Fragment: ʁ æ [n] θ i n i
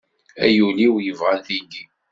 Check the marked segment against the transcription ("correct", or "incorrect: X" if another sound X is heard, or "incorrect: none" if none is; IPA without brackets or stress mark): correct